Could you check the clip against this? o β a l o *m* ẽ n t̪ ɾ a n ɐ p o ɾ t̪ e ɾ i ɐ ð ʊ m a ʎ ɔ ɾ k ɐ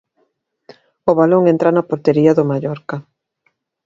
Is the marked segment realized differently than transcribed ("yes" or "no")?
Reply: yes